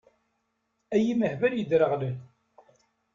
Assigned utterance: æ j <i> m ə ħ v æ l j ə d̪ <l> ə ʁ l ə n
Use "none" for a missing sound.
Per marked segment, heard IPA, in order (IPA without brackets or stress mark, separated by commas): i, ɾ